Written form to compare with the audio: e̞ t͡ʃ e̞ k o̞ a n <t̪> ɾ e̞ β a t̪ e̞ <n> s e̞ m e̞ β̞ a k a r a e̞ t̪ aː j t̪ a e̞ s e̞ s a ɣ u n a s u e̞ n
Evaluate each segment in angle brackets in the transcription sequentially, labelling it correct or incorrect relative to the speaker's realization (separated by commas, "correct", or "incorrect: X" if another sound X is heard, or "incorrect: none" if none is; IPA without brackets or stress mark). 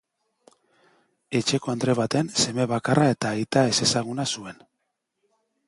incorrect: d̪, correct